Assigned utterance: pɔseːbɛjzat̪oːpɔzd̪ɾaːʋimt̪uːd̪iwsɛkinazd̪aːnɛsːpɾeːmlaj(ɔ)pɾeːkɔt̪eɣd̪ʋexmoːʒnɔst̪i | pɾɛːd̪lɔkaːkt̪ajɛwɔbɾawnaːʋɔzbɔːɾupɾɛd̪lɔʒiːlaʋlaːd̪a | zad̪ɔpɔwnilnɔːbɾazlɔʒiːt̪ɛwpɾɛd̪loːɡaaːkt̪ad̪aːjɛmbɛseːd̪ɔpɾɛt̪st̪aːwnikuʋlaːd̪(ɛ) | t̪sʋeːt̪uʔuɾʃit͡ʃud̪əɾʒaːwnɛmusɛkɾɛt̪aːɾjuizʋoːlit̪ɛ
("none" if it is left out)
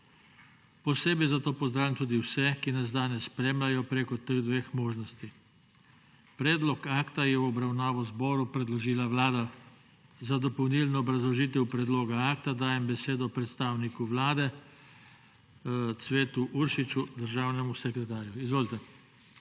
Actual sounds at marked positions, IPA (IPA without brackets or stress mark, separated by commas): ɔ, ɛ